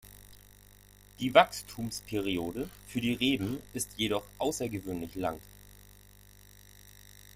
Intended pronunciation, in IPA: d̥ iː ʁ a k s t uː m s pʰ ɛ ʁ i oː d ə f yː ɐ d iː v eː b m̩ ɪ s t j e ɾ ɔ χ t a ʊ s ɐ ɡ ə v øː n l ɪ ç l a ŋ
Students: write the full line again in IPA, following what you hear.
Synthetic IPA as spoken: d̥ iː v a k s tʰ uː m s pʰ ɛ ʁ i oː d ə f yː ɐ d iː ʁ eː b m̩ ɪ s t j e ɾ ɔ χ ʔ a ʊ s ɐ ɡ ə v øː n l ɪ ç l a ŋ